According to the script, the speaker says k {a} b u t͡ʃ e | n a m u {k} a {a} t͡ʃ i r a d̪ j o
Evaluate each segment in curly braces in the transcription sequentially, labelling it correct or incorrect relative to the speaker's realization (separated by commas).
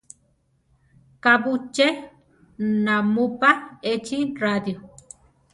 correct, incorrect, incorrect